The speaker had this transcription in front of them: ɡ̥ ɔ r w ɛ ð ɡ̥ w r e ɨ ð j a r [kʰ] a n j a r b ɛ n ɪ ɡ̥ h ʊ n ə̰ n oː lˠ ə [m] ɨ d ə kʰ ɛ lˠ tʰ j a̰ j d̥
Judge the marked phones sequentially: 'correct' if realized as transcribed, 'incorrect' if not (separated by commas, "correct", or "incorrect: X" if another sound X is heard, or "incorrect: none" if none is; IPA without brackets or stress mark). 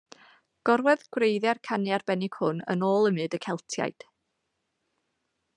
correct, correct